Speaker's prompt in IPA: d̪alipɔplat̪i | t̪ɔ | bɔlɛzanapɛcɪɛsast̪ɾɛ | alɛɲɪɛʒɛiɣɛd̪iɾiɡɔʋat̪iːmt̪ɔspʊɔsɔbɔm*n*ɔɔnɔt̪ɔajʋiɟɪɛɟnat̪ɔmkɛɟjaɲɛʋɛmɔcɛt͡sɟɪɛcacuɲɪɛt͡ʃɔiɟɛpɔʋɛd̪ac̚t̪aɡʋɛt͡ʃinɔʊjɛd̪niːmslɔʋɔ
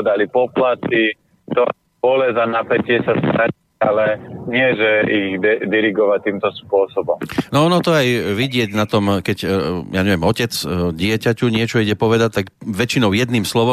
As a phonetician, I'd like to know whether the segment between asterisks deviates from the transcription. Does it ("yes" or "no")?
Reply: no